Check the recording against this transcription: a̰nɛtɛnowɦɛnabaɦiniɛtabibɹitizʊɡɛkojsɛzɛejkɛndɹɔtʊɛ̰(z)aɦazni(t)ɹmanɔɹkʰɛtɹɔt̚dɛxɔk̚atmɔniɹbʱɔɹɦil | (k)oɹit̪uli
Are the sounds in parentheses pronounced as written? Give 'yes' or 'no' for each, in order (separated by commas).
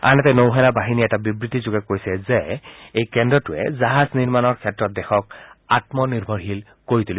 yes, no, yes